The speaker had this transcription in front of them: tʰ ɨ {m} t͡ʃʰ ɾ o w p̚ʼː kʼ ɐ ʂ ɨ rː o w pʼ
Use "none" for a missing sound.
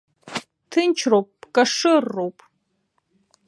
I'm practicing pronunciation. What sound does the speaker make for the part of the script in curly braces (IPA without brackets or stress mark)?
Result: n